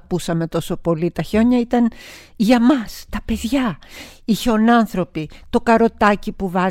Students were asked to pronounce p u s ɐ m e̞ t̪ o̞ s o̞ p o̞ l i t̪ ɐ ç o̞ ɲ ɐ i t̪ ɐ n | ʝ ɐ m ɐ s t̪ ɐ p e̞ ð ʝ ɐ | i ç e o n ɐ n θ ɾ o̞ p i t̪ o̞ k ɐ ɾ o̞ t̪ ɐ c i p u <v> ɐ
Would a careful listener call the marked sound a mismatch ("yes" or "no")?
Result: no